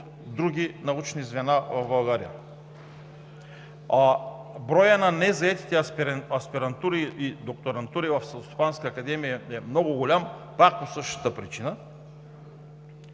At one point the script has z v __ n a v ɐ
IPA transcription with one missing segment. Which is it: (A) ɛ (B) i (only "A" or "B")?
A